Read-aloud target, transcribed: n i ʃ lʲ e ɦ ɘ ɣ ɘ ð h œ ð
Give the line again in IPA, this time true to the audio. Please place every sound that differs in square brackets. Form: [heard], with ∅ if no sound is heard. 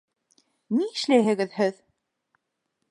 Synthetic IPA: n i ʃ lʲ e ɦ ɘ ɣ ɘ ð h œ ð